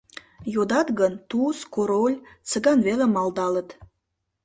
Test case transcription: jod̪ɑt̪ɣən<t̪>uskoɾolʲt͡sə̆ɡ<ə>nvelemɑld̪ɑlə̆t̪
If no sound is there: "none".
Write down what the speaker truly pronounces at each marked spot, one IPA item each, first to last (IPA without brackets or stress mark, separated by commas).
t̪, ɑ